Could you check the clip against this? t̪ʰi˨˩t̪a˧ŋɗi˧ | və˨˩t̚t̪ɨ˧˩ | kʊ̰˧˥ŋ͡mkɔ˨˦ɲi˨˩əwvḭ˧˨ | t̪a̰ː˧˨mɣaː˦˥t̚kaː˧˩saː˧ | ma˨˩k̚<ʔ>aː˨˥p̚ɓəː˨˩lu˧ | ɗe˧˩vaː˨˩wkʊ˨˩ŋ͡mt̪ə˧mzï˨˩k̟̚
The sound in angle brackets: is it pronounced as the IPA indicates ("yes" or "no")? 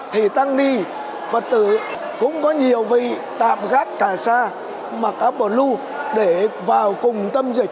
yes